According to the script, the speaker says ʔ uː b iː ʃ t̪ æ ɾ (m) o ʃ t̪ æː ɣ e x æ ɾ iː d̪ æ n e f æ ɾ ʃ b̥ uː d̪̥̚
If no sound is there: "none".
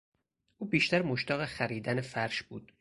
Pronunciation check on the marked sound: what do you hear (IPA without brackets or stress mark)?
m